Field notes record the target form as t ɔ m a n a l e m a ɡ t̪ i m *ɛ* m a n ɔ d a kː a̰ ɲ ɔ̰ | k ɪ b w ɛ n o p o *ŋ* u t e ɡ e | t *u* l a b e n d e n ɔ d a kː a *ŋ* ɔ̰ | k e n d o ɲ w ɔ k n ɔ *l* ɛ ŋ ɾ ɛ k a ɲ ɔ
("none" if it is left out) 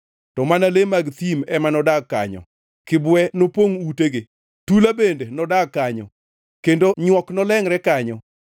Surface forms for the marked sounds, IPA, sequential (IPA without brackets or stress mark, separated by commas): ɛ, ŋ, u, ɲ, l